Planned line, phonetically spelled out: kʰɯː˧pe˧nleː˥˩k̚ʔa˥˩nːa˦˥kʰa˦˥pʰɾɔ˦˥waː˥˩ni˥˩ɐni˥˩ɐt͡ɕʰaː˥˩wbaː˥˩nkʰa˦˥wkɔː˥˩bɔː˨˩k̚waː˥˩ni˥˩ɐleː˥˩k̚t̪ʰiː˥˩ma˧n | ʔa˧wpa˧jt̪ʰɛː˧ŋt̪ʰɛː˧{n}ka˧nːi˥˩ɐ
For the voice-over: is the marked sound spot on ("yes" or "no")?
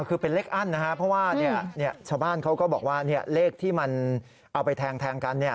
no